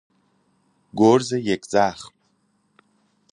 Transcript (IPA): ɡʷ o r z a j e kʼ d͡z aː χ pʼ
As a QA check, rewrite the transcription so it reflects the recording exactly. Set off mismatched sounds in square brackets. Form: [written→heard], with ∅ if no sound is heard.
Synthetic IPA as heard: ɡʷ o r z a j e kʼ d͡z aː χ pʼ

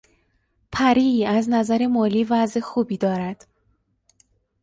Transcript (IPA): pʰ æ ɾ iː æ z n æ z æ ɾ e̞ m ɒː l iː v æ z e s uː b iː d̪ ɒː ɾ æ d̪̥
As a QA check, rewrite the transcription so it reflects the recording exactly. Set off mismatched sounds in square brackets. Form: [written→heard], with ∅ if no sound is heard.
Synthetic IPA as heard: pʰ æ ɾ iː æ z n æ z æ ɾ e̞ m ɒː l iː v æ z e [s→x] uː b iː d̪ ɒː ɾ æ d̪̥

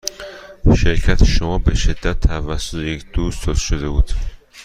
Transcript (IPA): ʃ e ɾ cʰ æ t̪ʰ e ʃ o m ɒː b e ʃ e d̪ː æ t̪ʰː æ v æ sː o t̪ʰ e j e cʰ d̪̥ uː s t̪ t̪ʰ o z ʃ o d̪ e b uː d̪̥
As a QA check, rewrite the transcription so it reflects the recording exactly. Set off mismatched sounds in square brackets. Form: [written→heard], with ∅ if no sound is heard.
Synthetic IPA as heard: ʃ e ɾ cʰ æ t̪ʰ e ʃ o m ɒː b e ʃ e d̪ː æ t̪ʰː æ v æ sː o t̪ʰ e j e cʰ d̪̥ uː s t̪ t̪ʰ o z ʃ o d̪ e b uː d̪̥

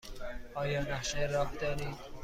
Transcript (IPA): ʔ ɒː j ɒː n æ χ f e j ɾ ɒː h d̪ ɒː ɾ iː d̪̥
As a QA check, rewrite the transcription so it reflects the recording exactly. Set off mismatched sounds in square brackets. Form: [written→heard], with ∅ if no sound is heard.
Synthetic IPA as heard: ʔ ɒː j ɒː n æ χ [f→ʃ] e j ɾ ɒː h d̪ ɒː ɾ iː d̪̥

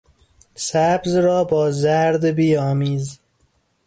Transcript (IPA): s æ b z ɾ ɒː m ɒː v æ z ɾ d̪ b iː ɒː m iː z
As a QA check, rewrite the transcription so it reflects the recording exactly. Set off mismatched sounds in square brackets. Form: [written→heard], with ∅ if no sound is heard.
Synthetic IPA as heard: s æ b z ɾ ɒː [m→b] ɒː [v→z] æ [z→∅] ɾ d̪ b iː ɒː m iː z

